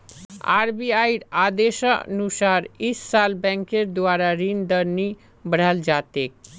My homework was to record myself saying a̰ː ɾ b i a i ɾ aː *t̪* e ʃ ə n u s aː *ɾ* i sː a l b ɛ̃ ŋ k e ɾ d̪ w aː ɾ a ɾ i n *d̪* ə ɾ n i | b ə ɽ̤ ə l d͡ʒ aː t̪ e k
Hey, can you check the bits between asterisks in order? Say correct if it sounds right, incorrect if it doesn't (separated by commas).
incorrect, correct, correct